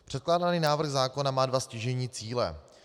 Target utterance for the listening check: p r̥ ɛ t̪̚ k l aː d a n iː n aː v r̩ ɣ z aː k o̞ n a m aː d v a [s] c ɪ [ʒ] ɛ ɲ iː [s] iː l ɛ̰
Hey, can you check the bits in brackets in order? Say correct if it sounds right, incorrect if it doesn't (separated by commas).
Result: correct, correct, incorrect